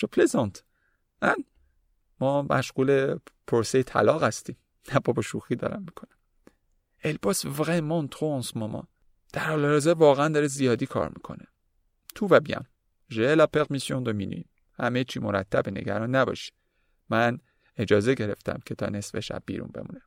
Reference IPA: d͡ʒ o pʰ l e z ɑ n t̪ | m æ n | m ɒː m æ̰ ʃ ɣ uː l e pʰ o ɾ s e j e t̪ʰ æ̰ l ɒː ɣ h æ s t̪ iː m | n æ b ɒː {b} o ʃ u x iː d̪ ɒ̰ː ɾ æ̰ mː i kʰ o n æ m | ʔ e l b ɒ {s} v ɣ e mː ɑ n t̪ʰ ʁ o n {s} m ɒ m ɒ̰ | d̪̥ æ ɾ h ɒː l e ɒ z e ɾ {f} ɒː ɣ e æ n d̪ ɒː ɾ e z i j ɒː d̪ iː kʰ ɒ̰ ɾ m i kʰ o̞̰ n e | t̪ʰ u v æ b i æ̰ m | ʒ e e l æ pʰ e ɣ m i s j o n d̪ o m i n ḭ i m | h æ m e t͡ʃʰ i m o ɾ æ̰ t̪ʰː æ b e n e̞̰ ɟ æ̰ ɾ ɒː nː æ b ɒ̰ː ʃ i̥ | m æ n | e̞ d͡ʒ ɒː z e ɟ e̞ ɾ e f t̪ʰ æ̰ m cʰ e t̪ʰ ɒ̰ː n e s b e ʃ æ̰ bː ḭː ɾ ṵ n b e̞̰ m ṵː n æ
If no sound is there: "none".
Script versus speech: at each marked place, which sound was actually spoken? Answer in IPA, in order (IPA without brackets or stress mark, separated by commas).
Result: b, s, s, v